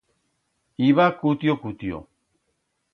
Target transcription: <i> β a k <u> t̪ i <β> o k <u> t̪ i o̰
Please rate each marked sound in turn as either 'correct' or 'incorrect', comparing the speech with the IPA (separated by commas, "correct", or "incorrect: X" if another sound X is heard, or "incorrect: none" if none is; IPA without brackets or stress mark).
correct, correct, incorrect: none, correct